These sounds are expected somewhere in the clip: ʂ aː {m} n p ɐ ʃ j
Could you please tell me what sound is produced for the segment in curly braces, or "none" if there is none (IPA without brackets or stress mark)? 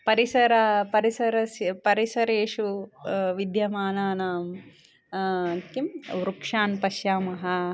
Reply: none